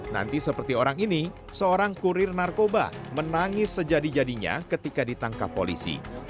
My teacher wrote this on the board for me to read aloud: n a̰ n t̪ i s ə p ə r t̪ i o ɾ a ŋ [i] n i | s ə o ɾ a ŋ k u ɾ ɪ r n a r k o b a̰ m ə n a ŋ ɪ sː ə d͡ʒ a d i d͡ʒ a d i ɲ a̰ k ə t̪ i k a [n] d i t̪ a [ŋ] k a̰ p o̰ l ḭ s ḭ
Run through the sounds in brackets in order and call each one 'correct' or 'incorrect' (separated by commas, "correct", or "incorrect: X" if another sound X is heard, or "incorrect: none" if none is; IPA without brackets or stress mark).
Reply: correct, incorrect: none, correct